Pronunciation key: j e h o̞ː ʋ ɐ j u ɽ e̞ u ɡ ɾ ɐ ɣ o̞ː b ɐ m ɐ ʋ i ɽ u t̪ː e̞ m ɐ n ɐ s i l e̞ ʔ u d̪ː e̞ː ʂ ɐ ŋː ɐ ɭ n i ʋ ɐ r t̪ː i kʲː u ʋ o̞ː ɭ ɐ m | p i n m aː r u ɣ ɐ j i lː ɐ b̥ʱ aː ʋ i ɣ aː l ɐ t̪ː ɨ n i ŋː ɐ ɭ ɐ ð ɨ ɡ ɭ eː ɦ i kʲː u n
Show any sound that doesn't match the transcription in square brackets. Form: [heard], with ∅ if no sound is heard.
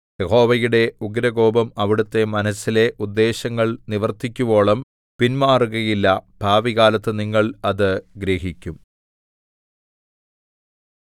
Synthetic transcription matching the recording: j e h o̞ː ʋ ɐ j u ɽ e̞ u ɡ ɾ ɐ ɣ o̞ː b ɐ m ɐ ʋ i ɽ u t̪ː e̞ m ɐ n ɐ s i l e̞ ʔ u d̪ː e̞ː [ɕ] ɐ ŋː ɐ ɭ n i ʋ ɐ r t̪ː i kʲː u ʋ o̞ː ɭ ɐ m | p i n m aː r u ɣ ɐ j i lː ɐ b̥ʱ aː ʋ i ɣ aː l ɐ t̪ː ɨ n i ŋː ɐ ɭ ɐ ð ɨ ɡ [ɾ] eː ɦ i kʲː u [m]